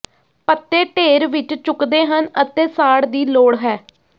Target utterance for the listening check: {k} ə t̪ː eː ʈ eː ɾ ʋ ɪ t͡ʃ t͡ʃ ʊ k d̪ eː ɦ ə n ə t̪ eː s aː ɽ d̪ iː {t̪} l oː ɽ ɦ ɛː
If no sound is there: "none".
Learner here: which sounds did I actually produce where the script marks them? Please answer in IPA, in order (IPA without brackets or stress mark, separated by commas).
p, none